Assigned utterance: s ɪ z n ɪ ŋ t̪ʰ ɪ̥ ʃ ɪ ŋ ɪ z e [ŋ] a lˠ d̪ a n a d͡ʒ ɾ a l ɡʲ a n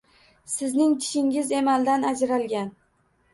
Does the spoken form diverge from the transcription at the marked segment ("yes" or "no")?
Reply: yes